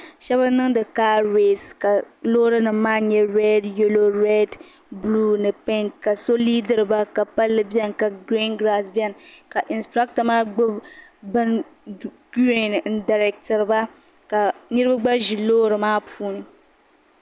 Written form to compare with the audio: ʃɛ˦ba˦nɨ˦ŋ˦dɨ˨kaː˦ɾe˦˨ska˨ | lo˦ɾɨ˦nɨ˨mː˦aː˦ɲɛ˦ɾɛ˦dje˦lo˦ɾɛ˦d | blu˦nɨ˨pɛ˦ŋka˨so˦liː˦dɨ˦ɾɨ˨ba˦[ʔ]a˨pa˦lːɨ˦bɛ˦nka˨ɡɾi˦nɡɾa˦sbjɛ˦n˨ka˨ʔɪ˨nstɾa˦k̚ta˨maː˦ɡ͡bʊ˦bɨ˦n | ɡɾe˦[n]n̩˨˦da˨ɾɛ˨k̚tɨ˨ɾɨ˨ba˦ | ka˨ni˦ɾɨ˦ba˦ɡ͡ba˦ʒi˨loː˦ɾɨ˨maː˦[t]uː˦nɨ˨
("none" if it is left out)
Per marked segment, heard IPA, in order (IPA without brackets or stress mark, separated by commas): k, n, p